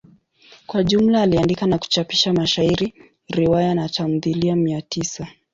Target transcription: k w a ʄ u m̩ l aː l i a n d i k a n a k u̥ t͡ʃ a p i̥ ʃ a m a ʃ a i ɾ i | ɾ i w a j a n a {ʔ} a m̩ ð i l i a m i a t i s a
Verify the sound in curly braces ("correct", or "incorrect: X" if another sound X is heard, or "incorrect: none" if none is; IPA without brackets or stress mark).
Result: incorrect: t